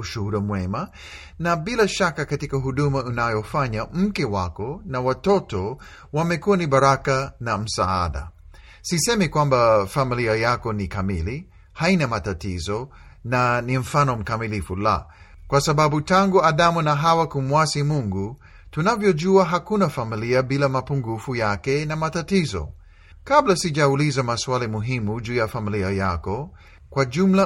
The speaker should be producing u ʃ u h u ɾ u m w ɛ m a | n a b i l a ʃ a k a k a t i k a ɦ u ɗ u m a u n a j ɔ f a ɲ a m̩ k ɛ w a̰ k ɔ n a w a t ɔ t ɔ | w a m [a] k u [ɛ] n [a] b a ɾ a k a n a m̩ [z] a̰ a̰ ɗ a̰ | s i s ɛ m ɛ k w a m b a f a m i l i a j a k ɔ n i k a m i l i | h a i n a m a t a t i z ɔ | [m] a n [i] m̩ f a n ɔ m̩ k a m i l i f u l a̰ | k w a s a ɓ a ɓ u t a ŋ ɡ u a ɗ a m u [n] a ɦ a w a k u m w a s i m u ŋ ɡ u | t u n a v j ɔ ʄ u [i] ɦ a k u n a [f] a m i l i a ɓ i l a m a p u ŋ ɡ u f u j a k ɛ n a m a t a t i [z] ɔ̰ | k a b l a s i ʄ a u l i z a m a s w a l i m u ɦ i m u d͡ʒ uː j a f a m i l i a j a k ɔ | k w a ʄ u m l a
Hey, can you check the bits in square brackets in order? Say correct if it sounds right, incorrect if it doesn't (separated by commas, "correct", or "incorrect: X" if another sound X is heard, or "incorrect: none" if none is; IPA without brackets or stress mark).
incorrect: ɛ, incorrect: a, incorrect: i, incorrect: s, incorrect: n, correct, correct, incorrect: a, correct, correct